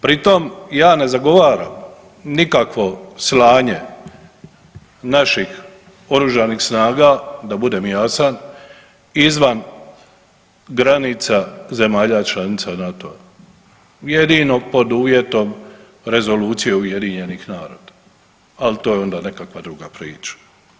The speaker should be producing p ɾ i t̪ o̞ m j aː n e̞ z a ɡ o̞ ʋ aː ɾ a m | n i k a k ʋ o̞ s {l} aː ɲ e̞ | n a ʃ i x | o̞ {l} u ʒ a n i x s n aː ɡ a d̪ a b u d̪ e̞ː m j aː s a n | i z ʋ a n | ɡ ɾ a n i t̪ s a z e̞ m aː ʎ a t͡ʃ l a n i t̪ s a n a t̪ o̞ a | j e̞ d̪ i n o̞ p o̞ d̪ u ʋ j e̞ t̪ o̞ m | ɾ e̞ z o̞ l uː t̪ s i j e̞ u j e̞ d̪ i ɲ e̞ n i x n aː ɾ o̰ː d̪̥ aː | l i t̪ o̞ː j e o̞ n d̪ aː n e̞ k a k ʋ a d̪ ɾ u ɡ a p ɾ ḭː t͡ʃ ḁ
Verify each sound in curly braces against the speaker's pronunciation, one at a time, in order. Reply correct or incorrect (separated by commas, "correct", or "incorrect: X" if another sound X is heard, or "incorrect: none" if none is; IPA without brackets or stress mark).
correct, incorrect: ɾ